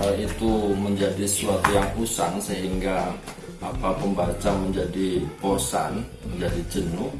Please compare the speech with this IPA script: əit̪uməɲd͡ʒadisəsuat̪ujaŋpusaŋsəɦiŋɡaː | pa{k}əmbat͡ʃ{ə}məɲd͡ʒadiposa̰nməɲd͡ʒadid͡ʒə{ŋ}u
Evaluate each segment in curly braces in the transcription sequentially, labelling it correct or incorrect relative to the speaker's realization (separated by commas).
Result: incorrect, incorrect, incorrect